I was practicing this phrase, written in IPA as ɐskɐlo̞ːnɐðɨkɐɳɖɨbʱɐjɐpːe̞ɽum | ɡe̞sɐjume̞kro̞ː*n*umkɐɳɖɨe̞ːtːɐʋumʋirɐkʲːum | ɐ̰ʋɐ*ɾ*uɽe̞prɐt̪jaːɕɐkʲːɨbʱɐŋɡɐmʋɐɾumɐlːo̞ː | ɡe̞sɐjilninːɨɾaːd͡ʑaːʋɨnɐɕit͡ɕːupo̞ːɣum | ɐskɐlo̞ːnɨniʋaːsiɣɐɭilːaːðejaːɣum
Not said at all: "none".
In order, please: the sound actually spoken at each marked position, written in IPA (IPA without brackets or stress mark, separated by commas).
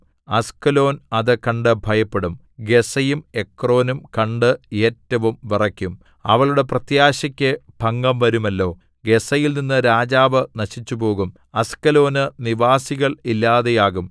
n, ɭ